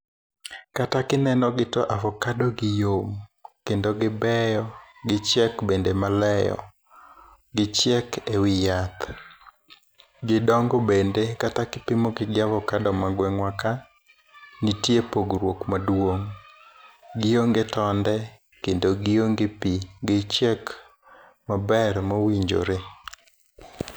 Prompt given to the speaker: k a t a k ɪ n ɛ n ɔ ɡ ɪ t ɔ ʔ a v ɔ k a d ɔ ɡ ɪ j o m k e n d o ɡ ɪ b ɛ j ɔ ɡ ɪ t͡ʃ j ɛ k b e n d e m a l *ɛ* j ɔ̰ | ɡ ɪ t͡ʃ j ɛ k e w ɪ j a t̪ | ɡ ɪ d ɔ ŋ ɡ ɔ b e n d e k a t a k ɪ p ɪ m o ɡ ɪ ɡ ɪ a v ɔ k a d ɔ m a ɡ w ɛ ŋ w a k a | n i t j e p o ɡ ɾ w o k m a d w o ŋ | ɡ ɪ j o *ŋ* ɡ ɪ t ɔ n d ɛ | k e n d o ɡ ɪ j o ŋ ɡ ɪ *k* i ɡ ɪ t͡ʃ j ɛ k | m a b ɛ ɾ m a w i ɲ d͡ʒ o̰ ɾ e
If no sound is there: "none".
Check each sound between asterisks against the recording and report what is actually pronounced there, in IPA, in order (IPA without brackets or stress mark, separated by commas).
ɛ, ŋ, p